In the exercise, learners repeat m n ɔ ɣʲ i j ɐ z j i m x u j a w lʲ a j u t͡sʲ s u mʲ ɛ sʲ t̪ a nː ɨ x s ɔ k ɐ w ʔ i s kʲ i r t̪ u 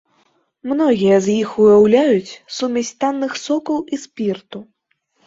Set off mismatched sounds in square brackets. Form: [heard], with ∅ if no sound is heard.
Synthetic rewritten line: m n ɔ ɣʲ i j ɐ z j i [∅] x u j a w lʲ a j u t͡sʲ s u mʲ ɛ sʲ t̪ a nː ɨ x s ɔ k ɐ w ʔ i s [pʲ] i r t̪ u